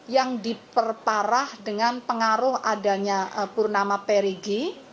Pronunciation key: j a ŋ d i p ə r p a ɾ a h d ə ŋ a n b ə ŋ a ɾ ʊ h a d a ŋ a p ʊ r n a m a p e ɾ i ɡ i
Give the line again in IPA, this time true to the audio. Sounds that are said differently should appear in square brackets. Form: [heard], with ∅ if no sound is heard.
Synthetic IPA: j a ŋ d i p ə r p a ɾ a h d ə ŋ a n [p] ə ŋ a ɾ ʊ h a d a [ɲ] a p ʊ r n a m a p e ɾ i ɡ i